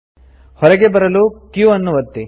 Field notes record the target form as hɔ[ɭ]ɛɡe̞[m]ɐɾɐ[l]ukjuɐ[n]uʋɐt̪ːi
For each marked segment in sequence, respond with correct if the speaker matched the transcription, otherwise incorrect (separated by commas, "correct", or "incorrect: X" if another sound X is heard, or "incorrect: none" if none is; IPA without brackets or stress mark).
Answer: incorrect: ɾ, incorrect: b, correct, incorrect: nː